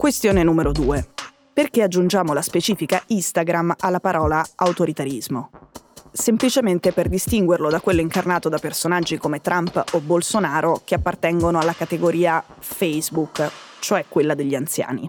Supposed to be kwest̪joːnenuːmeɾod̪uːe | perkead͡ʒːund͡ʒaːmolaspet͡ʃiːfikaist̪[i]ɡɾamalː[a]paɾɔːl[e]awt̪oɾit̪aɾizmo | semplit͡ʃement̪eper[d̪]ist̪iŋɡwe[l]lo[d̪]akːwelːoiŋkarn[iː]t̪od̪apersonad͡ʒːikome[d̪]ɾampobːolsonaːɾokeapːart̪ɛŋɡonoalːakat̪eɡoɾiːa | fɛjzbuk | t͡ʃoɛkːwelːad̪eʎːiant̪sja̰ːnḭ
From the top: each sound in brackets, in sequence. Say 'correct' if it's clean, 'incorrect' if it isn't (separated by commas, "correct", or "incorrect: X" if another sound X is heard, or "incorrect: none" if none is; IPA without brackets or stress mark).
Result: incorrect: a, correct, incorrect: a, correct, incorrect: r, correct, incorrect: aː, incorrect: t̪